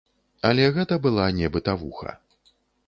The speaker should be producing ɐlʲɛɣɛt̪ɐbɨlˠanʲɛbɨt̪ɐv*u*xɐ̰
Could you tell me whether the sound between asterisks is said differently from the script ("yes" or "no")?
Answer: no